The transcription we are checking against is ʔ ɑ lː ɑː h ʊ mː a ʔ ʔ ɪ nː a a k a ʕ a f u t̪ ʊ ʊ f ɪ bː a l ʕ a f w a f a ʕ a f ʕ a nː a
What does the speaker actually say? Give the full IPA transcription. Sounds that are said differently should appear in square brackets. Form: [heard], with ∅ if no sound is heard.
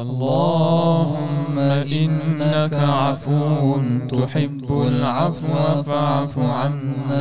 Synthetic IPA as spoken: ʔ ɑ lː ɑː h ʊ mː a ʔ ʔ ɪ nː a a k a ʕ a f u t̪ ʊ ʊ [ħ] ɪ bː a l ʕ a f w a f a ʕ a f ʕ a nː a